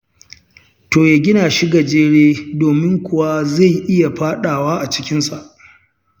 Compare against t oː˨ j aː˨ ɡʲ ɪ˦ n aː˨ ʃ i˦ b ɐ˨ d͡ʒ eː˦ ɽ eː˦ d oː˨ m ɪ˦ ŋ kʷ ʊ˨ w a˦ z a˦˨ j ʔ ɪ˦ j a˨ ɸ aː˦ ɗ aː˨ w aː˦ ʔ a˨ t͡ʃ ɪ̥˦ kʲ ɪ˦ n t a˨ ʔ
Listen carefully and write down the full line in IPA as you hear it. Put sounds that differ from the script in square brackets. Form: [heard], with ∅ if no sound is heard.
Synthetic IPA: t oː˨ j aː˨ ɡʲ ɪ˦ n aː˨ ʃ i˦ [ɡ] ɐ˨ d͡ʒ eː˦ ɽ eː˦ d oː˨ m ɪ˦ ŋ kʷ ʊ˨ w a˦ z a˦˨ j ʔ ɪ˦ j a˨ ɸ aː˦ ɗ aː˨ w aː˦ ʔ a˨ t͡ʃ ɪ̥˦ kʲ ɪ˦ n [s] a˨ ʔ